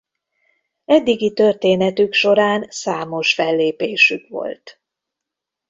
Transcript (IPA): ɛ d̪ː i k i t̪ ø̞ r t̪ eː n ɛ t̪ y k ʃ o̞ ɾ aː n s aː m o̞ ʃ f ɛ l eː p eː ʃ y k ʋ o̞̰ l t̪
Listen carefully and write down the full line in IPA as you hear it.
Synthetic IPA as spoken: ɛ d̪ː i ɡ i t̪ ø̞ r t̪ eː n ɛ t̪ y k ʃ o̞ ɾ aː n s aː m o̞ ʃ f ɛ lː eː p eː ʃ y k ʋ o̞̰ l t̪